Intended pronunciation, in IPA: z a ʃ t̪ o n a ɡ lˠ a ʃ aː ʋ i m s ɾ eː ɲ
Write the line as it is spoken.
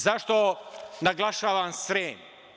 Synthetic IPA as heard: z a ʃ t̪ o n a ɡ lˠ a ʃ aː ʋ a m s ɾ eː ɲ